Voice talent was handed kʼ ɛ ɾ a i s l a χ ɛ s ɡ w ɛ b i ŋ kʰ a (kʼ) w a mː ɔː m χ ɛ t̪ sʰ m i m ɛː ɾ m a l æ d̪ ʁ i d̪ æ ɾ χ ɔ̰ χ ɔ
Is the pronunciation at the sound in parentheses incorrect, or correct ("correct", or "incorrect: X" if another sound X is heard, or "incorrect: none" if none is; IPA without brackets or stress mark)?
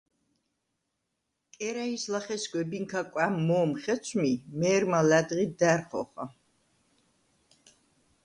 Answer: correct